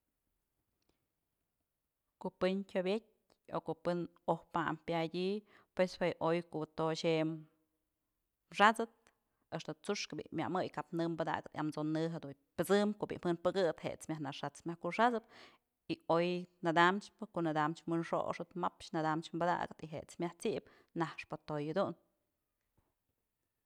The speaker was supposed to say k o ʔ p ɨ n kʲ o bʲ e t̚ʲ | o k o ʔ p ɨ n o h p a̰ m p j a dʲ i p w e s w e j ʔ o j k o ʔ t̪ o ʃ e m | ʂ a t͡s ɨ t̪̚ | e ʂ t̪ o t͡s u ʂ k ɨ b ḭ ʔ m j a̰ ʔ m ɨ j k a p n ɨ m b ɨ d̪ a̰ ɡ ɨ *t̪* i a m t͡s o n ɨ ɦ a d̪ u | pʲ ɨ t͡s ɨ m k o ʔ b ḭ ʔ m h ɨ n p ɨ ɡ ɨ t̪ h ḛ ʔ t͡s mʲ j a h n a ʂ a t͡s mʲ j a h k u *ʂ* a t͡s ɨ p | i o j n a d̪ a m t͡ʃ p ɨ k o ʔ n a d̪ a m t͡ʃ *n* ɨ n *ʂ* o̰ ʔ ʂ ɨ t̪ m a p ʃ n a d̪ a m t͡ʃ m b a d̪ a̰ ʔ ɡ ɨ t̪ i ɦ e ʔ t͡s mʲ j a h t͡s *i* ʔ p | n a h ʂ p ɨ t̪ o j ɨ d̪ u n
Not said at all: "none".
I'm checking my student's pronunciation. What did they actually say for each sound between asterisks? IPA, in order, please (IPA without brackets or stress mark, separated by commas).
t̪, ʂ, m, ʂ, i